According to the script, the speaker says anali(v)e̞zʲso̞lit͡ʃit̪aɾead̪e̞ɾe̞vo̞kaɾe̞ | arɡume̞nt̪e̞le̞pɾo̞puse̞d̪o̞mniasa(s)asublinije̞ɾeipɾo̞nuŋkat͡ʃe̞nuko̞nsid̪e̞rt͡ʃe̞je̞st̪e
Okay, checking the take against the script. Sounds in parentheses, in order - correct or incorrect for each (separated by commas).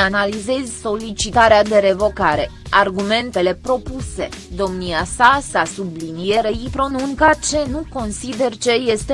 incorrect, correct